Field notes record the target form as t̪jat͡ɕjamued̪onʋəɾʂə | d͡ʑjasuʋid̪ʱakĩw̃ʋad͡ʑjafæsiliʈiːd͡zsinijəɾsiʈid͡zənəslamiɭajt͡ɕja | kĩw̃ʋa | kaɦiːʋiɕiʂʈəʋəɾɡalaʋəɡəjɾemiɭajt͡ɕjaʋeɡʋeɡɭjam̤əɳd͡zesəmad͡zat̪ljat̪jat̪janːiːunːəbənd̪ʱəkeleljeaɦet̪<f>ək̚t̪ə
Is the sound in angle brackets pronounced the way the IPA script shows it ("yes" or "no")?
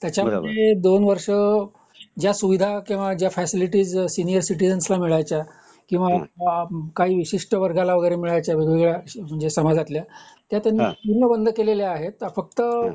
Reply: yes